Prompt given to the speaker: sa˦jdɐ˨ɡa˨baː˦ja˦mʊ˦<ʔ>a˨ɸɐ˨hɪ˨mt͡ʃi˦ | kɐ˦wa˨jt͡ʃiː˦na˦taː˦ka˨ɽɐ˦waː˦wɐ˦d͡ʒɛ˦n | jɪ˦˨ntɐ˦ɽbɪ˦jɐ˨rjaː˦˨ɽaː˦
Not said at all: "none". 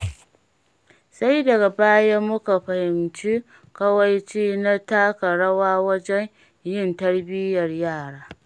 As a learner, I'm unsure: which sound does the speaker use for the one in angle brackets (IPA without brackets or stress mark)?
k